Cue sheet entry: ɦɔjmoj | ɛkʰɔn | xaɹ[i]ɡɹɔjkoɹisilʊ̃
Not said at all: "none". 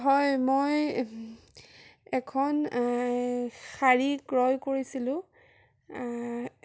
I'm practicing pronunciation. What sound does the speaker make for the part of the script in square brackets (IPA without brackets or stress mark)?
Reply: i